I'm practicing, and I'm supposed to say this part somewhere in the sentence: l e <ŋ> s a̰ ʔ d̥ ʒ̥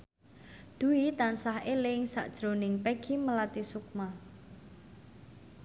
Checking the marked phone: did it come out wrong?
no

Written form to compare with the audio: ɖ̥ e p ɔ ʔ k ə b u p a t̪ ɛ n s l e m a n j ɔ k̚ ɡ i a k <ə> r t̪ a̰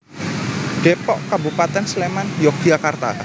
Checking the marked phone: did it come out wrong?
yes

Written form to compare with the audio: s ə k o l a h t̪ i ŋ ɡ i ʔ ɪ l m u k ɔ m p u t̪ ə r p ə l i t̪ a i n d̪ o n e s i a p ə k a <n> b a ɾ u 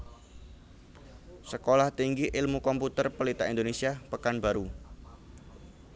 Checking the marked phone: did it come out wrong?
no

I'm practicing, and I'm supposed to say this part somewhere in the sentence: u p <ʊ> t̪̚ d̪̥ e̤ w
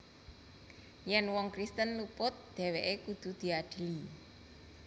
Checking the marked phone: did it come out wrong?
no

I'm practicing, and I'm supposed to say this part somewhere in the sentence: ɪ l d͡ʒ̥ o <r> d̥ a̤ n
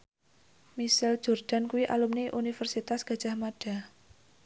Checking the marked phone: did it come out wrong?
no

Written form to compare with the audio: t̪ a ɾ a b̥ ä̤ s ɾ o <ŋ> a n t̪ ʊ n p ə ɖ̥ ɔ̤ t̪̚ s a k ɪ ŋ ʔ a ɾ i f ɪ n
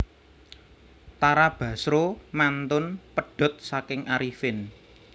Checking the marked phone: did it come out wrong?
yes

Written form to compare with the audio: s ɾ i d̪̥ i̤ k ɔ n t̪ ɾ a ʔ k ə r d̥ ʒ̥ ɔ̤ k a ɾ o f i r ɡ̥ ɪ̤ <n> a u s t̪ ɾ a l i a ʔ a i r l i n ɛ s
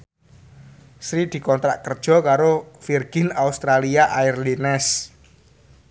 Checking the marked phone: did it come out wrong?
no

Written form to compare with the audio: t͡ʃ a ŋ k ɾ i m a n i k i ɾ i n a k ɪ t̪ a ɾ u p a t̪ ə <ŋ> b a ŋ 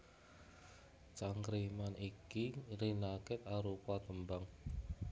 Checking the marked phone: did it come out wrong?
yes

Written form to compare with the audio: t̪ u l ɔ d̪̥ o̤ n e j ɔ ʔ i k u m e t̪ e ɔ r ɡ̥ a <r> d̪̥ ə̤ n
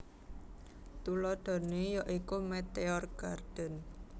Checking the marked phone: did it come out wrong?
no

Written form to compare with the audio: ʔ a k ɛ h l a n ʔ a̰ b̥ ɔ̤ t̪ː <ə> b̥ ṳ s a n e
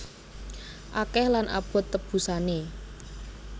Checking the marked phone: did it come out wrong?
no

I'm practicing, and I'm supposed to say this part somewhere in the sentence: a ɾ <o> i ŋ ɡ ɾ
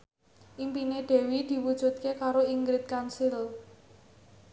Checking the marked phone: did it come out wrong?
no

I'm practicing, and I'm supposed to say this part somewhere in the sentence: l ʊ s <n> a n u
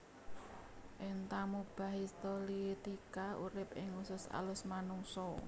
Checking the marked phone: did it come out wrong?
yes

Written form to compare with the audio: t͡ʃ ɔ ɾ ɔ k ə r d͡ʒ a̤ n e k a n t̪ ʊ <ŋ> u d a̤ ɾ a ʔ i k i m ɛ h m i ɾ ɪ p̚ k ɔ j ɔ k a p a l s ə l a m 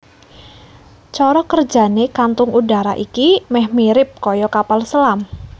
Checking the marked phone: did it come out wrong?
no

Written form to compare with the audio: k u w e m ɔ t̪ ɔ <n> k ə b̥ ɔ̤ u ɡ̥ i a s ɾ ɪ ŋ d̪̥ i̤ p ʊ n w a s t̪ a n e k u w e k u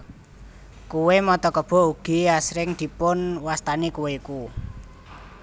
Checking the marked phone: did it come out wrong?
yes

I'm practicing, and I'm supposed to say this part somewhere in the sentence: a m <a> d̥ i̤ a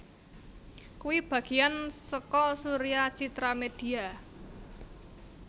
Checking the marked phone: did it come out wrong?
yes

